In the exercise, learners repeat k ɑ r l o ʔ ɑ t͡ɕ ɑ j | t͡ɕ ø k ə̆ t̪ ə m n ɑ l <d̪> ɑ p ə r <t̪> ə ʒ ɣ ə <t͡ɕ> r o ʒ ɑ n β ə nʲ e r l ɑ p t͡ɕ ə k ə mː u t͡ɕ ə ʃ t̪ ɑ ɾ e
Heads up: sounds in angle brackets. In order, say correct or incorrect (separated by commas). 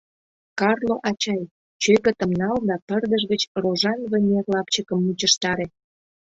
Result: correct, incorrect, correct